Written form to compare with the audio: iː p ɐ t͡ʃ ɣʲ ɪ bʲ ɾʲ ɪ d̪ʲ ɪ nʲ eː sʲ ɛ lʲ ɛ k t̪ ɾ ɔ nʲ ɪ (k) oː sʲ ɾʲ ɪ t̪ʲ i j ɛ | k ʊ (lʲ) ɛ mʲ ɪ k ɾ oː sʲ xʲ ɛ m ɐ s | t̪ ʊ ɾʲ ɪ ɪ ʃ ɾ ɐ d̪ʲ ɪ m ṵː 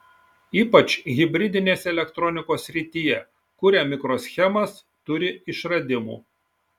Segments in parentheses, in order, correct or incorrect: correct, incorrect: ɾʲ

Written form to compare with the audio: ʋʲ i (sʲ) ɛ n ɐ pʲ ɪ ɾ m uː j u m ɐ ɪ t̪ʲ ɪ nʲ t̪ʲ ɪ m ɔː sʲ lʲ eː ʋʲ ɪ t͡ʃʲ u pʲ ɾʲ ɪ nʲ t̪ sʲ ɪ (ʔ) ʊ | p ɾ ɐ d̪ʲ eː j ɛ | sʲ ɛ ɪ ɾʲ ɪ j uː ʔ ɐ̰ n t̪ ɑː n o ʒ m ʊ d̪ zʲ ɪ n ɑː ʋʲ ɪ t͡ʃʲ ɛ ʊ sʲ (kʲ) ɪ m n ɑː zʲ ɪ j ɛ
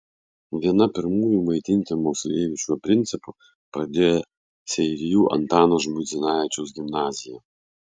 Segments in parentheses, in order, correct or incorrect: incorrect: none, incorrect: p, incorrect: ɡʲ

